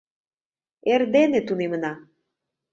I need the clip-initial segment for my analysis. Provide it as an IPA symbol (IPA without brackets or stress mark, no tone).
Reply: e